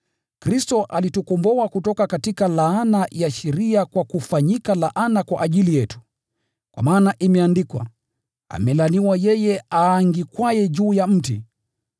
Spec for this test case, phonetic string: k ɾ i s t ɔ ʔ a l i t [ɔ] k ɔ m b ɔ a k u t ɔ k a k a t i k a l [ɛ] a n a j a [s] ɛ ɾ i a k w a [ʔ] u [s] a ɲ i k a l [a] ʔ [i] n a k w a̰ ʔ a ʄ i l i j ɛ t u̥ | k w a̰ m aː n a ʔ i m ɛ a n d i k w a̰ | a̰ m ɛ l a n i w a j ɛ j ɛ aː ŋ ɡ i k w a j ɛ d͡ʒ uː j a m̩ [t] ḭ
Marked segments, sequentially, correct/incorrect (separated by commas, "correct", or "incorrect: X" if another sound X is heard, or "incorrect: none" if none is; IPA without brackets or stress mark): incorrect: u, incorrect: a, incorrect: ʃ, incorrect: k, incorrect: f, correct, incorrect: a, correct